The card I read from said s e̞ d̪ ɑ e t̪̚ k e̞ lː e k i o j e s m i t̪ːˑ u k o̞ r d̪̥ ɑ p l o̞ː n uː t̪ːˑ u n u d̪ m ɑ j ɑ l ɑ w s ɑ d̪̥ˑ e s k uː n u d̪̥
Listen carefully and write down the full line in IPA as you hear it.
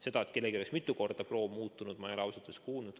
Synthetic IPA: s e̞ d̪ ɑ e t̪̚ k e̞ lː e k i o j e s m i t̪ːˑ u k o̞ r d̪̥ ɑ p r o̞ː m uː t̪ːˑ u n u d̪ m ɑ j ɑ l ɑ w s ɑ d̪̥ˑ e s k uː n u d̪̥